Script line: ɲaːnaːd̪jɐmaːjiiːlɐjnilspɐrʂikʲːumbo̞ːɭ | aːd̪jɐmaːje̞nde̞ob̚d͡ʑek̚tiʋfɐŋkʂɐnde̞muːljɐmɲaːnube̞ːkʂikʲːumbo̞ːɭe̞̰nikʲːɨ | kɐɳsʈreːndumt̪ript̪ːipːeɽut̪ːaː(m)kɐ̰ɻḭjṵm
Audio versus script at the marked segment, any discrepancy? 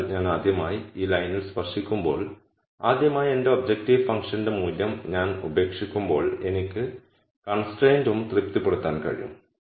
yes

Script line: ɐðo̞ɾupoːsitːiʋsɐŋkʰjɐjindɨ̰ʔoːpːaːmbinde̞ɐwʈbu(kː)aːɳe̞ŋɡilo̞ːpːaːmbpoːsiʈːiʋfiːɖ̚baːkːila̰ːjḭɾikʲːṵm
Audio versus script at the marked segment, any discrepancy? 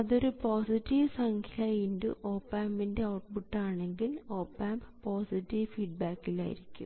yes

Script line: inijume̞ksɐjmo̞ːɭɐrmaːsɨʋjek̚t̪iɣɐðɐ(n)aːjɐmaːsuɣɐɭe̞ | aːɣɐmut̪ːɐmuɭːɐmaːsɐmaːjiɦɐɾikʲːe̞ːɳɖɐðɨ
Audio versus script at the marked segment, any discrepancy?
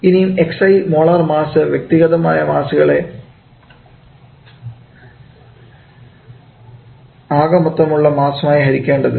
yes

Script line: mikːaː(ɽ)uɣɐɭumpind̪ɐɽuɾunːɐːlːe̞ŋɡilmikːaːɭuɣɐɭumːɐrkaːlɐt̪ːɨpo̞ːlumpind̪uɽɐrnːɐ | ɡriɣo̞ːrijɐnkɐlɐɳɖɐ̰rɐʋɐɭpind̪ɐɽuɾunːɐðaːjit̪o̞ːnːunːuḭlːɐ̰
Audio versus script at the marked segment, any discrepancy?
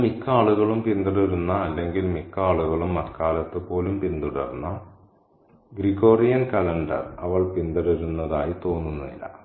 yes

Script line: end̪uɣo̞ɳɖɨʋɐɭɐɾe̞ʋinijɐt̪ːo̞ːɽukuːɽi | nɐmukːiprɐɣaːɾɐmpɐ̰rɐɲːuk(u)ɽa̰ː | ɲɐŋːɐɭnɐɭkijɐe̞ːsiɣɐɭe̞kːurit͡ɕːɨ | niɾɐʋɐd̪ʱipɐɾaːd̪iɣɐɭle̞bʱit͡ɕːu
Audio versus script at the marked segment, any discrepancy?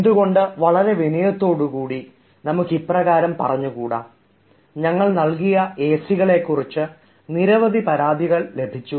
yes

